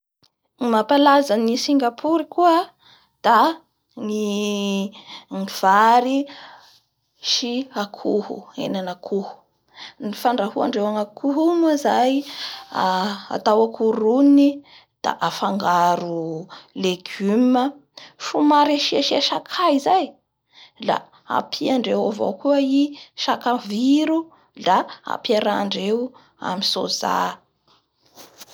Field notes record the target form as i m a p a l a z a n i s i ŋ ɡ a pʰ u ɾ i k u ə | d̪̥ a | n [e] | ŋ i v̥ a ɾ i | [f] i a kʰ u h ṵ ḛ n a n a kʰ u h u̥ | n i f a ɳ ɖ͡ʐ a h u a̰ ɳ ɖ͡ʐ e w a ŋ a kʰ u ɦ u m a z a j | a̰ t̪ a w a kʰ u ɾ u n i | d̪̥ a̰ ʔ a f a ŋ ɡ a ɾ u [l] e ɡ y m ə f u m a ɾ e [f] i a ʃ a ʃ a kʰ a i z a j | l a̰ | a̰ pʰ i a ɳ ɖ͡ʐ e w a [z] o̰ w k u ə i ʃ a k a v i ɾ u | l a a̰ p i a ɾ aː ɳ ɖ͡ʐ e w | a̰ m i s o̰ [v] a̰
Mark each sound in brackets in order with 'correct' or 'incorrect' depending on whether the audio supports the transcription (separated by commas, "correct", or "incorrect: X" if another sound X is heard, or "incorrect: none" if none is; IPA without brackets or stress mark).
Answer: incorrect: i, incorrect: ʃ, correct, incorrect: ʃ, incorrect: v, incorrect: z